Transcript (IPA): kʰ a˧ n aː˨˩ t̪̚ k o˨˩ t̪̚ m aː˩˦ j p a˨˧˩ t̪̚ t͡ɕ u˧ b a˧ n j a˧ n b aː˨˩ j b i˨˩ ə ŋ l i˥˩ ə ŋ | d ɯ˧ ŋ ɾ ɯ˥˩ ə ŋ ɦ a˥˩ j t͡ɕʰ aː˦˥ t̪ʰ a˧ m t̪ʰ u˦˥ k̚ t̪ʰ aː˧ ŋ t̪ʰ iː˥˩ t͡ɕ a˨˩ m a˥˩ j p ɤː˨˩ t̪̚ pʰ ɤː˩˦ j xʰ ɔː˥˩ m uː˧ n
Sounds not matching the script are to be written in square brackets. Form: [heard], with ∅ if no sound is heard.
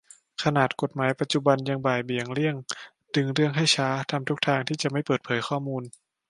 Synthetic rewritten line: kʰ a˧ n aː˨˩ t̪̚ k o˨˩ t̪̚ m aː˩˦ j p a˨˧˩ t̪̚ t͡ɕ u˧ b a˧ n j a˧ [ŋ] b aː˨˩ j b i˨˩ ə ŋ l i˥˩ ə ŋ | d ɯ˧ ŋ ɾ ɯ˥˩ ə ŋ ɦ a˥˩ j t͡ɕʰ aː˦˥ t̪ʰ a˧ m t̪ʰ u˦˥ k̚ t̪ʰ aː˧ ŋ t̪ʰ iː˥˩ t͡ɕ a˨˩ m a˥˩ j p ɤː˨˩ t̪̚ pʰ ɤː˩˦ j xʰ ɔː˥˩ m uː˧ n